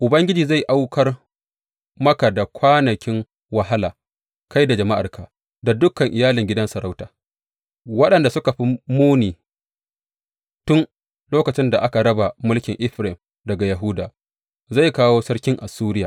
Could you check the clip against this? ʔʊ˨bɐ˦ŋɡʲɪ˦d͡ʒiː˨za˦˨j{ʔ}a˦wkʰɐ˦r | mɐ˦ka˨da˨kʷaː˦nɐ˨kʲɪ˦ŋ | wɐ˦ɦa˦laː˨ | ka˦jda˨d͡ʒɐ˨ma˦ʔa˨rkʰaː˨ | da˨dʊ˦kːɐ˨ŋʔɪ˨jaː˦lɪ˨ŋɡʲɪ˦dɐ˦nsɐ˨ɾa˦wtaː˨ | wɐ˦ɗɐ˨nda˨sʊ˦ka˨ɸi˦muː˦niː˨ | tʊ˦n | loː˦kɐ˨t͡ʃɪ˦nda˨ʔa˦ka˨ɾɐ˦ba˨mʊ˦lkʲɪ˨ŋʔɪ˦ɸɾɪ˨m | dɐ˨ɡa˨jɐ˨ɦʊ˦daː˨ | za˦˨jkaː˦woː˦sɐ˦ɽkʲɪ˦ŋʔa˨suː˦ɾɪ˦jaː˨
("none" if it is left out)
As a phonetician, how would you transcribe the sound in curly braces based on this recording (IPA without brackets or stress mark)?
ʔ